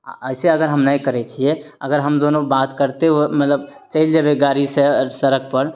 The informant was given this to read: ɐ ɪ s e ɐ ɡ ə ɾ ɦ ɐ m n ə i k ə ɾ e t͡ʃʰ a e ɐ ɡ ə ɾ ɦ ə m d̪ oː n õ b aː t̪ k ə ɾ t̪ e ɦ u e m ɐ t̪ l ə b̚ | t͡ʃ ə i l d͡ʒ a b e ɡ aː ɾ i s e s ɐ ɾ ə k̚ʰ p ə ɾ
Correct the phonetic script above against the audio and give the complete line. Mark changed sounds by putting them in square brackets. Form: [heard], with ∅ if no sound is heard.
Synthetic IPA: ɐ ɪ s e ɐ ɡ ə ɾ ɦ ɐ m n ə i k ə ɾ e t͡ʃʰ [i] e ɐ ɡ ə ɾ ɦ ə m d̪ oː n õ b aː t̪ k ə ɾ t̪ e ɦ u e m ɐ t̪ l ə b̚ | t͡ʃ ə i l d͡ʒ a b e ɡ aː ɾ i s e s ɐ ɾ ə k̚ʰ p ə ɾ